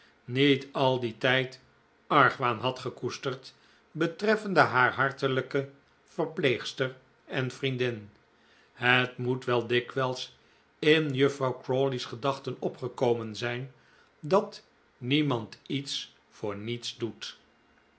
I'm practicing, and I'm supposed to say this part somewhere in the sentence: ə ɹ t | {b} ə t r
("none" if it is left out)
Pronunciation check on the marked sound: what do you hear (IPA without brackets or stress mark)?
b